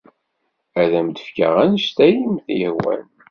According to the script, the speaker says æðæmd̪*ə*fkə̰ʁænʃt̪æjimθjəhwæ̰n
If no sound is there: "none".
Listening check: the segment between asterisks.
ə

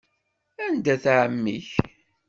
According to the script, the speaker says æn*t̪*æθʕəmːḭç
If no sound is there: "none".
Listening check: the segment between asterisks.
d̪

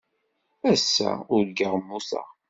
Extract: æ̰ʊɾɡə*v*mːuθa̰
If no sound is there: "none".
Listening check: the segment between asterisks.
ʁ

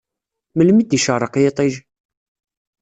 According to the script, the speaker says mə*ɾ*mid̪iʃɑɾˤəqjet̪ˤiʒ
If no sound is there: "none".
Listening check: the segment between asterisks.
l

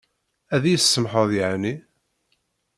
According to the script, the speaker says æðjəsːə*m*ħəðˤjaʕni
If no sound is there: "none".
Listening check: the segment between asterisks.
m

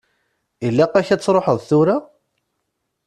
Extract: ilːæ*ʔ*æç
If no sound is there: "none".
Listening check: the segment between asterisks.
q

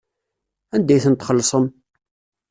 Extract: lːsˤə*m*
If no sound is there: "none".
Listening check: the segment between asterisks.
m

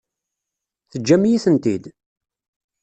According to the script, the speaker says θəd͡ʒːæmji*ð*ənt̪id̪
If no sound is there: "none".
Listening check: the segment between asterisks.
θ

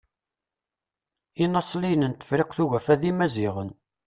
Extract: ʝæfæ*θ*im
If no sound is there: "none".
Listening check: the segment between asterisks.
ð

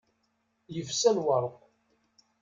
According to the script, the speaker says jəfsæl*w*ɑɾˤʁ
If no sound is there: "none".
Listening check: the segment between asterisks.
w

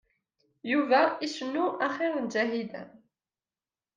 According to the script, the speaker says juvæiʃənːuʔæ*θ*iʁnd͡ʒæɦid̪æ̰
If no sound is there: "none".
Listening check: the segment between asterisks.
χ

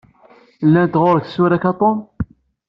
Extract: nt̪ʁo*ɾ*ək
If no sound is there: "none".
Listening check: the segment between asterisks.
ɾ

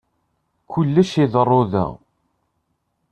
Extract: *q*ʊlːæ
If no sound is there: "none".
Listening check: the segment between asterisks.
k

